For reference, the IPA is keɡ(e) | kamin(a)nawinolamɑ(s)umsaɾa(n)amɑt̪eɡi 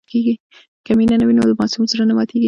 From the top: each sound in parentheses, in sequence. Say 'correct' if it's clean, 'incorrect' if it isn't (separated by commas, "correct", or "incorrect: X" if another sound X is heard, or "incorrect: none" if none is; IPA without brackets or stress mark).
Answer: incorrect: i, correct, correct, correct